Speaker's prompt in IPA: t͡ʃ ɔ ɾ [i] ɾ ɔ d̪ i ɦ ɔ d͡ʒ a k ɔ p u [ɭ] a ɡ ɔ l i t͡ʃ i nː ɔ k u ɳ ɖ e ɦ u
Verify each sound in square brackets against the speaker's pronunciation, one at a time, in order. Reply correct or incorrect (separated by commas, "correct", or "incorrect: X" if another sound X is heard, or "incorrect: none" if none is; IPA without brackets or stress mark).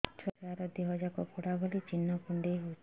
incorrect: a, incorrect: ɽ